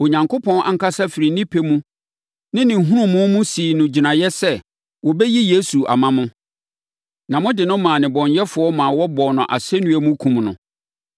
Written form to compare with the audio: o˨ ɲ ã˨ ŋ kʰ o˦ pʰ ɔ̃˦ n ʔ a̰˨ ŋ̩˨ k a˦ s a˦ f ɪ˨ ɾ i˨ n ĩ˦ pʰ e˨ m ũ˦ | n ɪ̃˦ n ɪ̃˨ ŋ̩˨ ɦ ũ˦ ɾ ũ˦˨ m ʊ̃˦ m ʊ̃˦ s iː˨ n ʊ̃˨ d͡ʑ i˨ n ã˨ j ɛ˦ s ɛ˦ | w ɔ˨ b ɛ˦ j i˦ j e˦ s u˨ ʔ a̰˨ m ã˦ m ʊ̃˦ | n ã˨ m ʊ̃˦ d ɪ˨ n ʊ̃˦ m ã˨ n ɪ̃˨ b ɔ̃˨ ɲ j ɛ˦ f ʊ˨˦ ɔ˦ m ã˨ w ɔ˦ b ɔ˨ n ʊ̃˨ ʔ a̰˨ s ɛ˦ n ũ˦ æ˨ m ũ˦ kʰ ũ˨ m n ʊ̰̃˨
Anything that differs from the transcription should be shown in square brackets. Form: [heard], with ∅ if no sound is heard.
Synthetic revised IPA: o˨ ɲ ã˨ ŋ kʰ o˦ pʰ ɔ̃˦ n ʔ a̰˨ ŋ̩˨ k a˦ s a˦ f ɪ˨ ɾ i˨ n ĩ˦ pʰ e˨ m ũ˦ | n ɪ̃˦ n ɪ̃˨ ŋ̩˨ ɦ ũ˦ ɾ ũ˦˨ m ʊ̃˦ m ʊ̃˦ s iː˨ n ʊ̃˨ d͡ʑ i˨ n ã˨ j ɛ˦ s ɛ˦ | w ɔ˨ b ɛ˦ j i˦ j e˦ s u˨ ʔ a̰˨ m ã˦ m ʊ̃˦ | n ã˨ m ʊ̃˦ d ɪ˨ n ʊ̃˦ m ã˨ n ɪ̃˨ b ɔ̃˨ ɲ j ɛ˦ f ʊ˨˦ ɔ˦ m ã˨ w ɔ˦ b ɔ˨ n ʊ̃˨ ʔ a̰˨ s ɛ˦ n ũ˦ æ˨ m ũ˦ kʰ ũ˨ m n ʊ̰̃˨